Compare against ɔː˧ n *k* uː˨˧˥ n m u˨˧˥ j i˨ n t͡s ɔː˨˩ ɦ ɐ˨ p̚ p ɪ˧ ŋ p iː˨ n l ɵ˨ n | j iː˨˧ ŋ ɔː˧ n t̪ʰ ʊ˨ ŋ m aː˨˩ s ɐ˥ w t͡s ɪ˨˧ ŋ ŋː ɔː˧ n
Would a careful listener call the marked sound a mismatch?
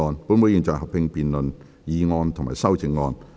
yes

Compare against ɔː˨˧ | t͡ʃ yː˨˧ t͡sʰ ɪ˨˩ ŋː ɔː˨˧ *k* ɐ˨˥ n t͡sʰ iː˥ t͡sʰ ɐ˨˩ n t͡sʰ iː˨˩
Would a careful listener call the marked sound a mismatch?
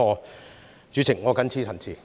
no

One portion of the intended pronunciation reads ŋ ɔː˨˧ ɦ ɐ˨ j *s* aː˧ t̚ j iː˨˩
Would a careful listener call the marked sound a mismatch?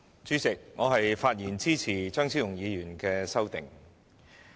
yes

